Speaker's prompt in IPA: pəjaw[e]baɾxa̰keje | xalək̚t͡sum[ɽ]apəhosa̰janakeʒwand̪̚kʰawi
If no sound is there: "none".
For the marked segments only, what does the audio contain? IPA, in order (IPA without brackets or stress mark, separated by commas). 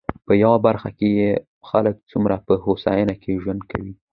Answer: a, ɾ